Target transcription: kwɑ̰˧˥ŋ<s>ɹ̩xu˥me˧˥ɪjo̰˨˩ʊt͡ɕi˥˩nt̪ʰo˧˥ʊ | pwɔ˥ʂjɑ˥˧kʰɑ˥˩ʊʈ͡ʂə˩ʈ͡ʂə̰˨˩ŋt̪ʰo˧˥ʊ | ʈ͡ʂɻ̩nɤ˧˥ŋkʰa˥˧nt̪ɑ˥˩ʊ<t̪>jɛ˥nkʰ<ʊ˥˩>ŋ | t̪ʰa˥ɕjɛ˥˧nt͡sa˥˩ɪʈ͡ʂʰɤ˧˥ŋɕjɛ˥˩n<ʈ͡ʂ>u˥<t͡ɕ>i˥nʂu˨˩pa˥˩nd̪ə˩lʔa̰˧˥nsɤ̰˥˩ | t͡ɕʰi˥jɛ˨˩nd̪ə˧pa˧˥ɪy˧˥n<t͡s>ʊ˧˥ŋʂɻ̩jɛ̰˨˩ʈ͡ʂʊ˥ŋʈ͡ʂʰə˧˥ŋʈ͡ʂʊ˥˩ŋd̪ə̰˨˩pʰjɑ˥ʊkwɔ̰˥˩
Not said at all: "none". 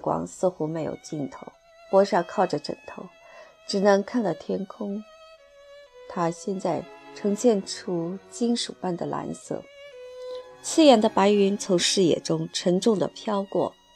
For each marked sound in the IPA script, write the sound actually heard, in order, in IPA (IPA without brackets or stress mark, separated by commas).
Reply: s, t̪ʰ, ʊ˥, ʈ͡ʂʰ, t͡ɕ, t͡sʰ